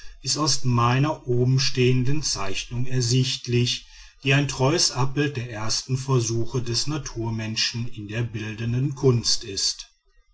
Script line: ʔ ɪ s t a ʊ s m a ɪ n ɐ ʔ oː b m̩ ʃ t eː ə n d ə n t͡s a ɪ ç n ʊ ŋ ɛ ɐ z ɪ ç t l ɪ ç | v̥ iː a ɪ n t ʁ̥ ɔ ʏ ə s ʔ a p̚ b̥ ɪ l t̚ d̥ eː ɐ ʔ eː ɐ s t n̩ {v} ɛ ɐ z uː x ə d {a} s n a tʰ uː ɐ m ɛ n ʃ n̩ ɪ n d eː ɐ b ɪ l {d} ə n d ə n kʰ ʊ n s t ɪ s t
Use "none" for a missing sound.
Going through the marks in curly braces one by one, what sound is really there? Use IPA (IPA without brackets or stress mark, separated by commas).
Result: f, ɛ, d